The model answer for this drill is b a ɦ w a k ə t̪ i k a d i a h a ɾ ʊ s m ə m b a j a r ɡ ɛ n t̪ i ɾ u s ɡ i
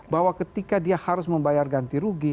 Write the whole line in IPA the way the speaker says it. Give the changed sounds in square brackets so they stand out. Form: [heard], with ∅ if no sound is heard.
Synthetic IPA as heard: b a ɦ w a k ə t̪ i k a d i a h a ɾ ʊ s m ə m b a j a r ɡ [a] n t̪ i ɾ u [∅] ɡ i